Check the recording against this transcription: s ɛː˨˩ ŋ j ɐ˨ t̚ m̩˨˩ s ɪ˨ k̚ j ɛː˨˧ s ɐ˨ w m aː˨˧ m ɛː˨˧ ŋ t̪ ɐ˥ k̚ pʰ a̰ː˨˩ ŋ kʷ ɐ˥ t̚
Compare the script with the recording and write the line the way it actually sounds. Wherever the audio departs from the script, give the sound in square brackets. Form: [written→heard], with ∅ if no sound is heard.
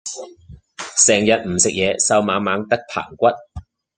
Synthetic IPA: s ɛː˨˩ ŋ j ɐ˨ t̚ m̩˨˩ s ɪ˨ k̚ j ɛː˨˧ s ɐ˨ w m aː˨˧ m [ɛː˨˧→aː˨˧] ŋ t̪ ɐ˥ k̚ pʰ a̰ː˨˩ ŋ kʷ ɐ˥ t̚